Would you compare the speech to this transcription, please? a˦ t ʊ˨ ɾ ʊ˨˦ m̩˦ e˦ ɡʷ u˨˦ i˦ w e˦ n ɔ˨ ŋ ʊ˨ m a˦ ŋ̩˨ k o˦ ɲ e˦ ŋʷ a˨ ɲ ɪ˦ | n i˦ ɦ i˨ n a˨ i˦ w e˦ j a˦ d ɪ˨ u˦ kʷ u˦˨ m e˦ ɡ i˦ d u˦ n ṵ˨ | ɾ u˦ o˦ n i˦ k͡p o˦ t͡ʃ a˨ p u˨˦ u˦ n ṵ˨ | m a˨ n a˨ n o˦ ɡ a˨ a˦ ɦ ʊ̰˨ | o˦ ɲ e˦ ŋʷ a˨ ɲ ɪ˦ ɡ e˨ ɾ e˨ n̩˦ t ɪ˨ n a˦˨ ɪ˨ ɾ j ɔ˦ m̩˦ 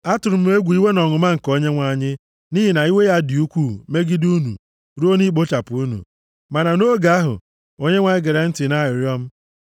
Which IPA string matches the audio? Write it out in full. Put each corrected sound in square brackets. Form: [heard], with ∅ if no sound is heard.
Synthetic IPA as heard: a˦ t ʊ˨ ɾ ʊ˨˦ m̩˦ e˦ ɡʷ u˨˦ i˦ w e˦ n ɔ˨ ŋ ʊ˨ m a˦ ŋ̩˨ k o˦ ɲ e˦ ŋʷ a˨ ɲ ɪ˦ | n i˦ ɦ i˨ n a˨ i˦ w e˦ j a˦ d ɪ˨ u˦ kʷ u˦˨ m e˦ ɡ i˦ d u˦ n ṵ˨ | ɾ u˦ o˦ n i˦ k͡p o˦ t͡ʃ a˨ p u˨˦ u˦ n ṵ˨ | m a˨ n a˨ n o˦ ɡ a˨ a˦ ɦ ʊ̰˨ | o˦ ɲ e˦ ŋʷ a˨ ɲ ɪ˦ ɡ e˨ ɾ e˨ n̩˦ t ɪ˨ n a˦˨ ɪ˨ ɾ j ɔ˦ m̩˦